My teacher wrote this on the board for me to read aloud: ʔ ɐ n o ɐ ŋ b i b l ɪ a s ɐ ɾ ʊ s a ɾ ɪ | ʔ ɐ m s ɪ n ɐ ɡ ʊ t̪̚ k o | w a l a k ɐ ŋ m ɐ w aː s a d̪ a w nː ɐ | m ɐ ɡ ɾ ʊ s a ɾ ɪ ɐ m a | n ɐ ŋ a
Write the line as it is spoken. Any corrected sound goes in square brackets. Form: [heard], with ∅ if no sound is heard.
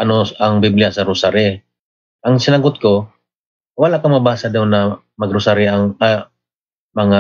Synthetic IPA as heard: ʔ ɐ n o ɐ ŋ b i b l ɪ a s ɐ ɾ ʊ s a ɾ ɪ | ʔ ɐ [ŋ] s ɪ n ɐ ɡ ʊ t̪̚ k o | w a l a k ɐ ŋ m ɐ [b] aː s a d̪ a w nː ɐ | m ɐ ɡ ɾ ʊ s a ɾ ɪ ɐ [ŋ] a | [m] ɐ ŋ a